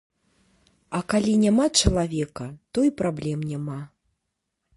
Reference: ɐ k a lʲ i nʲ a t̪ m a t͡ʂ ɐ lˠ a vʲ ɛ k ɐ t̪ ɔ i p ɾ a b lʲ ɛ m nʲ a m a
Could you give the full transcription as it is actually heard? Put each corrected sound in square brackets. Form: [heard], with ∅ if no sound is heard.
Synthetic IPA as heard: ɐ k a lʲ i nʲ a [∅] m a t͡ʂ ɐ lˠ a vʲ ɛ k ɐ t̪ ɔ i p ɾ a b lʲ ɛ m nʲ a m a

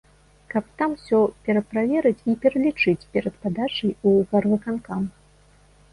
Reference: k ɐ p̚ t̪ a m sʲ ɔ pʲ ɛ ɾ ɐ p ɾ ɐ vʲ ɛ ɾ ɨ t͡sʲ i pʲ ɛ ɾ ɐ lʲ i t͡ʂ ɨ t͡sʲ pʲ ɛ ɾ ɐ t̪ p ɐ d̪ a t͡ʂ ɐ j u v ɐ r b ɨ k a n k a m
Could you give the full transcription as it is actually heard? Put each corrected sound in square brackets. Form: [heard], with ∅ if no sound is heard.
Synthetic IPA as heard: k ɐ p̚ t̪ a m sʲ ɔ pʲ ɛ ɾ ɐ p ɾ [a] vʲ ɛ ɾ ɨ t͡sʲ i pʲ ɛ ɾ ɐ lʲ i t͡ʂ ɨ t͡sʲ pʲ ɛ ɾ ɐ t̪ p [a] d̪ a t͡ʂ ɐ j u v ɐ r [v] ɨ k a n k a m

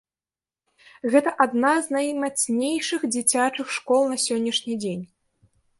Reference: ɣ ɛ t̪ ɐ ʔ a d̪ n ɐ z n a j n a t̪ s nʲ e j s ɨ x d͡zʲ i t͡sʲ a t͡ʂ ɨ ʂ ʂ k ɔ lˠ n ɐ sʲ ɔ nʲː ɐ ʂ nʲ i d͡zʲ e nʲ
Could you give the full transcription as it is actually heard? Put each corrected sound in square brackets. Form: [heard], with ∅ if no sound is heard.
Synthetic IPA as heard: ɣ ɛ t̪ ɐ ʔ a d̪ n [a] z n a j [m] a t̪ s nʲ e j [ʂ] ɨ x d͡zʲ i t͡sʲ a t͡ʂ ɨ [x] ʂ k ɔ lˠ n ɐ sʲ ɔ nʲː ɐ ʂ nʲ i d͡zʲ e nʲ

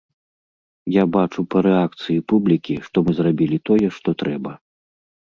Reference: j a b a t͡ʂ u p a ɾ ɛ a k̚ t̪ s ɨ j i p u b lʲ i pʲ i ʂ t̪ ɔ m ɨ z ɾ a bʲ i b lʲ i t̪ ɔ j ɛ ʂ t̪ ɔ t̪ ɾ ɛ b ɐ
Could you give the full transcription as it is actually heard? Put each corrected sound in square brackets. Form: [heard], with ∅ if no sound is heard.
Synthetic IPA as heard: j a b a t͡ʂ u p [ɐ] ɾ ɛ a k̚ t̪ s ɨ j i p u b lʲ i [kʲ] i ʂ t̪ ɔ m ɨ z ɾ a bʲ i [∅] lʲ i t̪ ɔ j ɛ ʂ t̪ ɔ t̪ ɾ ɛ b ɐ

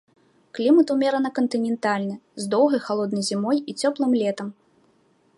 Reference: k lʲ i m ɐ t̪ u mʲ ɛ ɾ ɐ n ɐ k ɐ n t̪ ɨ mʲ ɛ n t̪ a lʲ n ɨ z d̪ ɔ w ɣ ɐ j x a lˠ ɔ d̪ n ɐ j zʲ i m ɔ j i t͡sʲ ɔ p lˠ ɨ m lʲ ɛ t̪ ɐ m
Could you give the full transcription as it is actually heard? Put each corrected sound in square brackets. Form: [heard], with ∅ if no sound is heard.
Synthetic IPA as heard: k lʲ i m ɐ t̪ u mʲ ɛ ɾ ɐ n ɐ k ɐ n t̪ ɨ [nʲ] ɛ n t̪ a lʲ n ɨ z d̪ ɔ w ɣ ɐ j x a lˠ ɔ d̪ n ɐ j zʲ i m ɔ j i t͡sʲ ɔ p lˠ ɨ m lʲ ɛ t̪ ɐ m

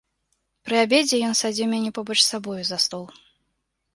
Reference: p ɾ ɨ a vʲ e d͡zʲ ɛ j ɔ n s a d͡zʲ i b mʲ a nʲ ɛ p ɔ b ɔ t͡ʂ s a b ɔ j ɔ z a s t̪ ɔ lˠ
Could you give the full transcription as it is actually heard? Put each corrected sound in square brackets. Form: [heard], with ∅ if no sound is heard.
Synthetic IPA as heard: p ɾ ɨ a [bʲ] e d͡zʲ ɛ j ɔ n s a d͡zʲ i [w] mʲ a nʲ ɛ p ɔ b ɔ t͡ʂ s a b ɔ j [u] z a s t̪ ɔ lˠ

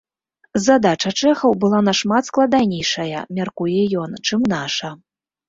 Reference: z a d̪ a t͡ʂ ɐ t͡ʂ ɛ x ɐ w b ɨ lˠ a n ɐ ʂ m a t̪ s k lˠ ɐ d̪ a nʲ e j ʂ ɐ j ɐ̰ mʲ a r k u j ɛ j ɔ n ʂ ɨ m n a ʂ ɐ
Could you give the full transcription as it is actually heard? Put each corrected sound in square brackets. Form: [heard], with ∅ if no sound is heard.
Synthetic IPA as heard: z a d̪ a t͡ʂ ɐ t͡ʂ ɛ x ɐ w b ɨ lˠ a n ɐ ʂ m a t̪ s k lˠ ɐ d̪ a nʲ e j ʂ ɐ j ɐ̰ mʲ a r k u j ɛ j ɔ n [t͡ʂ] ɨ m n a ʂ ɐ

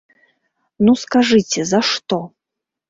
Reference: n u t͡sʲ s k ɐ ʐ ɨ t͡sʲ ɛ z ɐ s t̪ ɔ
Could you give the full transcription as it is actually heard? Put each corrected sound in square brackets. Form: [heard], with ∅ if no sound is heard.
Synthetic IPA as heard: n u [∅] s k [a] ʐ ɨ t͡sʲ ɛ z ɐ [ʂ] t̪ ɔ

